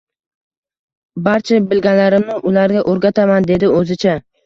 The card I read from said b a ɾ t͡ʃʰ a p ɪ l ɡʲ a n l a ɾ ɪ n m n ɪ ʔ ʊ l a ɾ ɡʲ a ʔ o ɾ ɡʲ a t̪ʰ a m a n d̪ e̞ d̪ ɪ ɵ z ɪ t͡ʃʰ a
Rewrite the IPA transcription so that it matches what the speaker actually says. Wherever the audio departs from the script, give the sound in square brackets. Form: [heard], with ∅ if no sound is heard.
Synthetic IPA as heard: b a ɾ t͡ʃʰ a [b] ɪ l ɡʲ a n l a ɾ ɪ [∅] m n ɪ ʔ ʊ l a ɾ ɡʲ a ʔ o ɾ ɡʲ a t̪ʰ a m a n d̪ e̞ d̪ ɪ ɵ z ɪ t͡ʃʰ a